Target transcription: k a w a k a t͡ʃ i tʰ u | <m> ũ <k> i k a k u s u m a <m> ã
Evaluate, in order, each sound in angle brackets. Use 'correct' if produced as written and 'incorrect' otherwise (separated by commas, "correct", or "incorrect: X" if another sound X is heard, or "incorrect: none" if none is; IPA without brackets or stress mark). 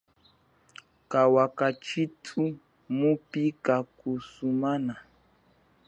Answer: correct, incorrect: p, incorrect: n